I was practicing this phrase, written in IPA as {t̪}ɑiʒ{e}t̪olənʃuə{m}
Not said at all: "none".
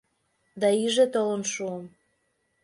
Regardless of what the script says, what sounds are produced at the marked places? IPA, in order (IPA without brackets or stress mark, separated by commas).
d̪, e, m